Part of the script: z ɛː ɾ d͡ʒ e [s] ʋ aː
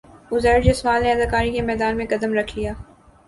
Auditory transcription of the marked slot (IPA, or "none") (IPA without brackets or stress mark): s